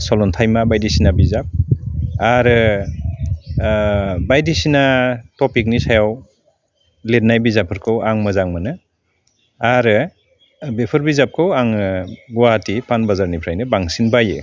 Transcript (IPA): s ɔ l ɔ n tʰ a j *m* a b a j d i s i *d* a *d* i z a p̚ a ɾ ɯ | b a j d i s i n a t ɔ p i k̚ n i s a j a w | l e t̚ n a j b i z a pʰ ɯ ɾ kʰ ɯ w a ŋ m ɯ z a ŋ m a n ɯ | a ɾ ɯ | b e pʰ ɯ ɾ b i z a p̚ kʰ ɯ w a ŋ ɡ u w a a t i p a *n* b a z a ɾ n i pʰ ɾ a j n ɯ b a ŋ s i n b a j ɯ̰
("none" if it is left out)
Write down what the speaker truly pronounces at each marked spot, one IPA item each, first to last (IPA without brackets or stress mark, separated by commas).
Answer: m, n, b, n